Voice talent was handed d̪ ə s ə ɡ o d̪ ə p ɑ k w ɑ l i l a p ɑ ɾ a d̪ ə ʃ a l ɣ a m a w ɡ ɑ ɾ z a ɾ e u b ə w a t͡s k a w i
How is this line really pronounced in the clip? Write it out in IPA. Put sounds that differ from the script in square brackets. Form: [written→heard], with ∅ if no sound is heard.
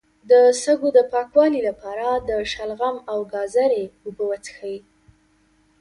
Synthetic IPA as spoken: d̪ ə s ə ɡ o d̪ ə p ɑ k w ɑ l i l a p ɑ ɾ a d̪ ə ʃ a l ɣ a m a w ɡ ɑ [ɾ→∅] z a ɾ e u b ə w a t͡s [k→x] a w i